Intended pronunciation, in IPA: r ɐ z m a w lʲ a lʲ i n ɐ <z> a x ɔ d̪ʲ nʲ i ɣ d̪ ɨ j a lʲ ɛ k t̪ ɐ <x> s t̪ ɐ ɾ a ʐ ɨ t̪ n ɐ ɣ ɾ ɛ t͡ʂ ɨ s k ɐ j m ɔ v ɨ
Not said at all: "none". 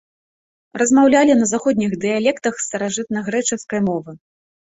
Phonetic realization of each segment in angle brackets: z, x

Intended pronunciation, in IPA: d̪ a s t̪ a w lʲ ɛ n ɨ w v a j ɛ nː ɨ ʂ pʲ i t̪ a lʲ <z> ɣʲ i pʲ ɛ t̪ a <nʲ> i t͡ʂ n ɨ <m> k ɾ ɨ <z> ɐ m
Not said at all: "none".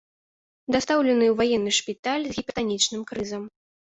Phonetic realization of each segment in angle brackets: z, nʲ, m, z

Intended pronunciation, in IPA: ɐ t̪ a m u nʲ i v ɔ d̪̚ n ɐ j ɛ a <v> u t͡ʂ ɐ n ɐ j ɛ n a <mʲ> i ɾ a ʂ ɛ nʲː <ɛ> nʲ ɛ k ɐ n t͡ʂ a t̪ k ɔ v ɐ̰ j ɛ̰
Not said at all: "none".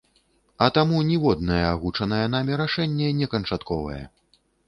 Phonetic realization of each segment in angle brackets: ɣ, mʲ, ɛ

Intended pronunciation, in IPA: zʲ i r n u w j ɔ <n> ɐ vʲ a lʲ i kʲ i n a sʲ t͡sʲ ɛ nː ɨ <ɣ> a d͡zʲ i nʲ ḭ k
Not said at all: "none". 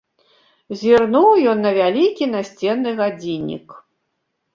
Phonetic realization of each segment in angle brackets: nː, ɣ

